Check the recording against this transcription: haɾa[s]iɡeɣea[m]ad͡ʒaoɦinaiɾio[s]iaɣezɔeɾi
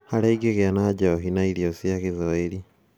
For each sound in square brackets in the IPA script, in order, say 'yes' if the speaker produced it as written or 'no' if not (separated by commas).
no, no, yes